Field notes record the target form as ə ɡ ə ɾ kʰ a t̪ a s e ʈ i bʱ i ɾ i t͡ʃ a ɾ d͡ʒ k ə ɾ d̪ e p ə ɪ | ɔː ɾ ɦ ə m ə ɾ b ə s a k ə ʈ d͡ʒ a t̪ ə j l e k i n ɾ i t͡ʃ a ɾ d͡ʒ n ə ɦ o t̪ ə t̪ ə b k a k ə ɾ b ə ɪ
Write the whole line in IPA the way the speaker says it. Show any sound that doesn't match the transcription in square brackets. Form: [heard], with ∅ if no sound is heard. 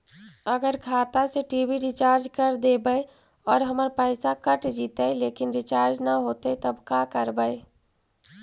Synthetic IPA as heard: ə ɡ ə ɾ kʰ a t̪ a s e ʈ i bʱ i ɾ i t͡ʃ a ɾ d͡ʒ k ə ɾ d̪ e [b] ə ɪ | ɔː ɾ ɦ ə m ə ɾ [p] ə s a k ə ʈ d͡ʒ [i] t̪ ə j l e k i n ɾ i t͡ʃ a ɾ d͡ʒ n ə ɦ o t̪ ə t̪ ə b k a k ə ɾ b ə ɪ